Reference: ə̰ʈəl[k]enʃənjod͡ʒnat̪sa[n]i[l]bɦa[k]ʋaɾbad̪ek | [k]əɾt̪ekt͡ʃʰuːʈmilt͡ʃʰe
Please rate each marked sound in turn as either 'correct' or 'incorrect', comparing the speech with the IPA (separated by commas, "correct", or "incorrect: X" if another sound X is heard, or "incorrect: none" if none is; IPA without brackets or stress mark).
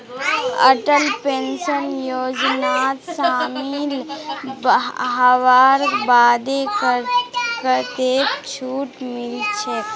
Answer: incorrect: p, incorrect: m, correct, incorrect: none, correct